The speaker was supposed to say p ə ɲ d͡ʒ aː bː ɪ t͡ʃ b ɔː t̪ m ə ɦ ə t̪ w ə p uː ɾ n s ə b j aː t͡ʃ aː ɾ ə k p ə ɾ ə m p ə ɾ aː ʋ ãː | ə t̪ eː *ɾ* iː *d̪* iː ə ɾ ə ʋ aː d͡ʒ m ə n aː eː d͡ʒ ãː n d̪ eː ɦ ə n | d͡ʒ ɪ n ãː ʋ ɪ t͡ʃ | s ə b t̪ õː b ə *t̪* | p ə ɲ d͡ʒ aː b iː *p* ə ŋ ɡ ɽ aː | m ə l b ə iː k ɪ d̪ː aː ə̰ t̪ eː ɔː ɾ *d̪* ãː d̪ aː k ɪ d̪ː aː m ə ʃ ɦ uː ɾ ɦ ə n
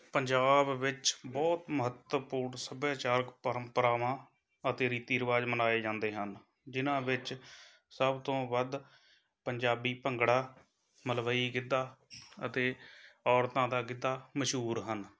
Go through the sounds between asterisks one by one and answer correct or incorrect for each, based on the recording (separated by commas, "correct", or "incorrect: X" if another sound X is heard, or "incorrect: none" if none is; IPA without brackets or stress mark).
correct, incorrect: t̪, incorrect: d̪, correct, incorrect: t̪